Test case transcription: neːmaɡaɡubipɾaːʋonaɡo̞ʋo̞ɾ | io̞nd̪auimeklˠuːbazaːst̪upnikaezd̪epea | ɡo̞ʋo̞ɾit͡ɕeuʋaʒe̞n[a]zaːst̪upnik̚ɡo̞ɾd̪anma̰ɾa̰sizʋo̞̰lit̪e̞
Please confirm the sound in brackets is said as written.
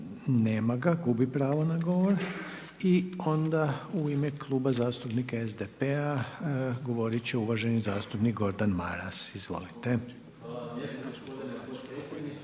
no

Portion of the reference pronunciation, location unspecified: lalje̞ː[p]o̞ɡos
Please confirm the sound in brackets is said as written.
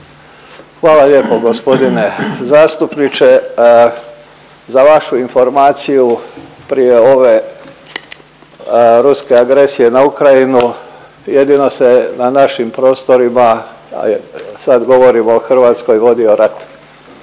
yes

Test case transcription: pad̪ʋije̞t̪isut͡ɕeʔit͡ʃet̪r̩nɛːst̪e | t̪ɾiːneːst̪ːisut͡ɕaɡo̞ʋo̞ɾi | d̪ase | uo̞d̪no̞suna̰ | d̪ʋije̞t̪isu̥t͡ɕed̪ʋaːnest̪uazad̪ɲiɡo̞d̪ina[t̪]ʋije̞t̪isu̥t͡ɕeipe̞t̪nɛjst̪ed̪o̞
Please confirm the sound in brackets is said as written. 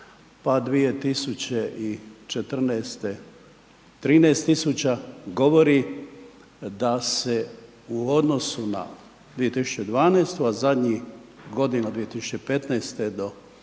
no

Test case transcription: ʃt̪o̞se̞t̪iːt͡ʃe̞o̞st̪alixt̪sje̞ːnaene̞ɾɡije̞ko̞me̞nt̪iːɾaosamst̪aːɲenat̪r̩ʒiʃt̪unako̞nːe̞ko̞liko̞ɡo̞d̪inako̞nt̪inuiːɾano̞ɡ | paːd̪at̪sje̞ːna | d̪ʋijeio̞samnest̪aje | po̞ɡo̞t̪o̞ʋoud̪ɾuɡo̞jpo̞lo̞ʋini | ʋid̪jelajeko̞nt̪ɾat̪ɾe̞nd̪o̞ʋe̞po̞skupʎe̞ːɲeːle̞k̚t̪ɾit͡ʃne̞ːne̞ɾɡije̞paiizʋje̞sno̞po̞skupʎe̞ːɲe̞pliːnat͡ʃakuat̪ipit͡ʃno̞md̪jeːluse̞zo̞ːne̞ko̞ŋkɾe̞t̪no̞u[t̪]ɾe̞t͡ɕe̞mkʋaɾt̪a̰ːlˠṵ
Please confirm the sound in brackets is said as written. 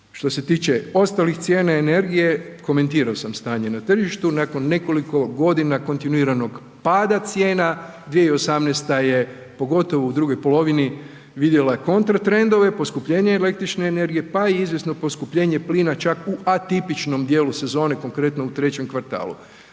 yes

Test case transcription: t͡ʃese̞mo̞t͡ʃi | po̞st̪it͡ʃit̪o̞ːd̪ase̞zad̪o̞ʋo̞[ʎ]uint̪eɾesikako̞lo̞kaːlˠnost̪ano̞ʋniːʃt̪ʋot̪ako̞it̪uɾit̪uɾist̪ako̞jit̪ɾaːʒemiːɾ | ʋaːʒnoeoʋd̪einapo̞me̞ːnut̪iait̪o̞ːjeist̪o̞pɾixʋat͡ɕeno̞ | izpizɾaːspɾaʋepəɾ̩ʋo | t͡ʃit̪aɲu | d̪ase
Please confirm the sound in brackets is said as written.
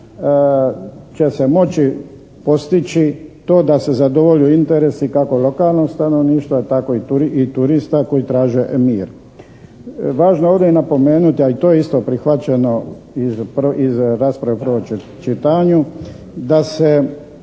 yes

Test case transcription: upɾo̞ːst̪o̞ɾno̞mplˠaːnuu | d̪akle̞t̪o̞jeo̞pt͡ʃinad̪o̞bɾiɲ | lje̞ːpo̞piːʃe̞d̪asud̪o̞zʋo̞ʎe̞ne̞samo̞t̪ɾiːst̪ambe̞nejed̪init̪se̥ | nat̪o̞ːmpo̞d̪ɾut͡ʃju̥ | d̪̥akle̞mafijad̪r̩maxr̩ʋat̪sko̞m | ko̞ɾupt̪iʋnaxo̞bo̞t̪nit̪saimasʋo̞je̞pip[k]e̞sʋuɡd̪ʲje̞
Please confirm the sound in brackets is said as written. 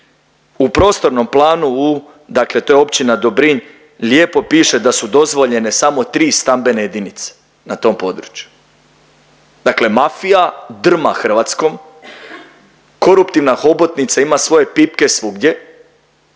yes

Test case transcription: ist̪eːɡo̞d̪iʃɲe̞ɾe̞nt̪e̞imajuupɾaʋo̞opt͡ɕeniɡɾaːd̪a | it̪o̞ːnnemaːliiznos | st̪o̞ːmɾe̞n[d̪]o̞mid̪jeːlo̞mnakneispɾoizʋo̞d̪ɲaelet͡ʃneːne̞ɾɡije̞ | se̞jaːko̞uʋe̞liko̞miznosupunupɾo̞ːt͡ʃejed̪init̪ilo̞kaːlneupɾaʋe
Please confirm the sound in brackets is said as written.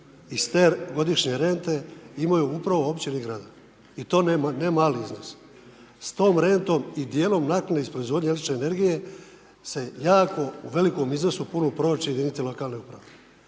no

